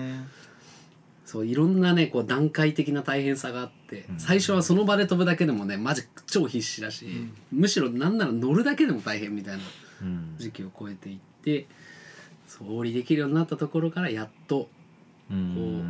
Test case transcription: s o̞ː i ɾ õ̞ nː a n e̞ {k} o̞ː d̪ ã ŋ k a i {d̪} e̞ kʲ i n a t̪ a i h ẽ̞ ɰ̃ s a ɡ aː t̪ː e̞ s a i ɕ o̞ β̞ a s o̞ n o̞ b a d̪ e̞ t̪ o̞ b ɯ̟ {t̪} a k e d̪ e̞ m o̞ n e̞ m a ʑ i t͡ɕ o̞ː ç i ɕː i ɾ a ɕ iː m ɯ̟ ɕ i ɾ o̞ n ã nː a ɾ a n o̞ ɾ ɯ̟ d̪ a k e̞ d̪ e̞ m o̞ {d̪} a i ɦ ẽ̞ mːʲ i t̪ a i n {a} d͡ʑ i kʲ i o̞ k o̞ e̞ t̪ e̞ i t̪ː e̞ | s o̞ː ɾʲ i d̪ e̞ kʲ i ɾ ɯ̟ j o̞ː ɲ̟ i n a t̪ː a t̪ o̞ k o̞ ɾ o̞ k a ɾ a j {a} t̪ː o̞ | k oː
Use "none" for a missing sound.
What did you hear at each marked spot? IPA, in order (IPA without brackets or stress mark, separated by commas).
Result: k, t̪, d̪, t̪, a, a